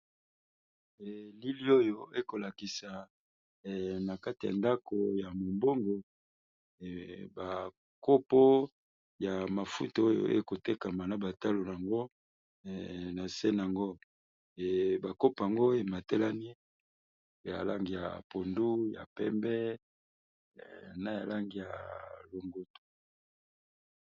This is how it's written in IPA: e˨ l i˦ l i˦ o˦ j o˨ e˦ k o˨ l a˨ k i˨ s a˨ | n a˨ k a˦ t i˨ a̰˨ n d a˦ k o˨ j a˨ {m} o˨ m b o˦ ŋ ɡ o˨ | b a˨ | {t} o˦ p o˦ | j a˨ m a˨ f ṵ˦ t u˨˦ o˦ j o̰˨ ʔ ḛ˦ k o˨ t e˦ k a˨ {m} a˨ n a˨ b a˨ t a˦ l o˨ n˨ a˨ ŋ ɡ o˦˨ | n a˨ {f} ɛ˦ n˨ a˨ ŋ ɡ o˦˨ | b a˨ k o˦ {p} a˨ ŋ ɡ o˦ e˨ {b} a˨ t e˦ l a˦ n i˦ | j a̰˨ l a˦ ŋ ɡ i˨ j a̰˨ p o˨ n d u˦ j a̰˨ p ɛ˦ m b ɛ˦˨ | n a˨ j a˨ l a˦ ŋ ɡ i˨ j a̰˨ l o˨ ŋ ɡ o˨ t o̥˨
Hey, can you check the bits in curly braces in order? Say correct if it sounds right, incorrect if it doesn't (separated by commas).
correct, incorrect, correct, incorrect, correct, incorrect